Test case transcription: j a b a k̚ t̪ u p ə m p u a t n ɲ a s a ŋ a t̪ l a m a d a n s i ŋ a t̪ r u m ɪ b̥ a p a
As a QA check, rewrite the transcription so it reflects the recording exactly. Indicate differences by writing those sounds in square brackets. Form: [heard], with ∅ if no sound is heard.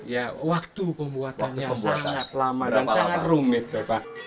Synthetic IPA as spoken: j a [w] a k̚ t̪ u p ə m [b] u a t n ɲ a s a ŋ a t̪ l a m a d a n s [a] ŋ a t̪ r u m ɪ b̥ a p a